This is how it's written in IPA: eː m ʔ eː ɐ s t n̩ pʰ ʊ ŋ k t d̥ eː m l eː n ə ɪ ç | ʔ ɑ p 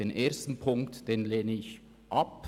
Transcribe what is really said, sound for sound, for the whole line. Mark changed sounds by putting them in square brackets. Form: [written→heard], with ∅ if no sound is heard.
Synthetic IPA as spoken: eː [m→n] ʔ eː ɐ s t n̩ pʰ ʊ ŋ k t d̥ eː [m→n] l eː n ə ɪ ç | ʔ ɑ p